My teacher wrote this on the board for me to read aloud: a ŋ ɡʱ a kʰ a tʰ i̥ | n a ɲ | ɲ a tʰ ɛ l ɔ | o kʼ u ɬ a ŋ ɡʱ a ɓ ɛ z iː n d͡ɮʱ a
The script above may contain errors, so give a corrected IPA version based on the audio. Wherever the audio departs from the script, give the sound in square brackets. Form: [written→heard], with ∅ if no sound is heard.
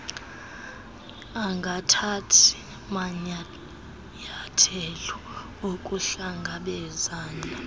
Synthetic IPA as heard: a ŋ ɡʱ a [kʰ→tʰ] a tʰ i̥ | [n→m] a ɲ | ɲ a tʰ ɛ l ɔ | o kʼ u ɬ a ŋ ɡʱ a ɓ ɛ z [iː→aː] n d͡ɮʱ a